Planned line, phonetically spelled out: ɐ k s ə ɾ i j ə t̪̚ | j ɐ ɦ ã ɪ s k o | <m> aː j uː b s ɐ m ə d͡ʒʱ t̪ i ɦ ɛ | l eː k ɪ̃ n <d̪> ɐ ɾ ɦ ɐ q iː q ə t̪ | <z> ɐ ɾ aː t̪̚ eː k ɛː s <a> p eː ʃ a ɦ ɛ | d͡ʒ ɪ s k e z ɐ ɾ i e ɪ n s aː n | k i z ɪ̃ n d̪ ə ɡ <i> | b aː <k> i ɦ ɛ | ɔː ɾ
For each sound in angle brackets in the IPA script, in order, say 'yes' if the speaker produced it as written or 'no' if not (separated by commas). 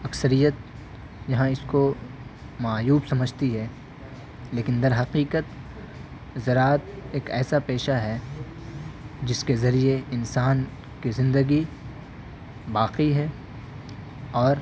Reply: yes, yes, yes, yes, yes, no